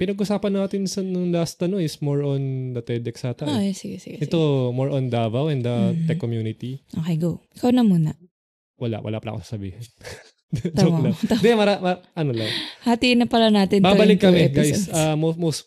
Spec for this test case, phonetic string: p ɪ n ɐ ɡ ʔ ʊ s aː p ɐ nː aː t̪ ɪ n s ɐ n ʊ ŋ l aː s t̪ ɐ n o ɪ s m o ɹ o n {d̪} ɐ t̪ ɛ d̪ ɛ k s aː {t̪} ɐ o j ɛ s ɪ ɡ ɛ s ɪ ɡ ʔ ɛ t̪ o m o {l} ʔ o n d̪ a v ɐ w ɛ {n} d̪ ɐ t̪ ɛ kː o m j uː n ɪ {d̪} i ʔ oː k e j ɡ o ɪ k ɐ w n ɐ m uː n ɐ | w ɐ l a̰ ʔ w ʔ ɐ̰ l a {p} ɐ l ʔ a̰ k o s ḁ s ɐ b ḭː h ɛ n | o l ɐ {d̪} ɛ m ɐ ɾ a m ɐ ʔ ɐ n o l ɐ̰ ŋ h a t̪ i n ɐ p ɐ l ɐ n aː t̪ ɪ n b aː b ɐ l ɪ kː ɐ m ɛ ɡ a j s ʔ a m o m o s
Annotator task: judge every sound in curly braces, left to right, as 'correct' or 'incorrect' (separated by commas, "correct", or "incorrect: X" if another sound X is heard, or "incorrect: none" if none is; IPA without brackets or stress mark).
correct, correct, incorrect: ɹ, correct, incorrect: t̪, correct, correct